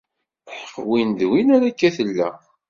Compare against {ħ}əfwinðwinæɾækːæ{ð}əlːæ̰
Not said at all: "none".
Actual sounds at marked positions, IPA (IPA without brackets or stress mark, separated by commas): ħ, θ